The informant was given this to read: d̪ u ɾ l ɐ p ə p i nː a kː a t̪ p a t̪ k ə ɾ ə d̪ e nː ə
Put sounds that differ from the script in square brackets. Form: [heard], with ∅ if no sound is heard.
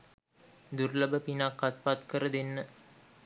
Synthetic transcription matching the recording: d̪ u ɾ l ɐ [b] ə p i [n] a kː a t̪ p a t̪ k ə ɾ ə d̪ e nː ə